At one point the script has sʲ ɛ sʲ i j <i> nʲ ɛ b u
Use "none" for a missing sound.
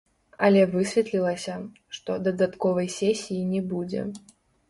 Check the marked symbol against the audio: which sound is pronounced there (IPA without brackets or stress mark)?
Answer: i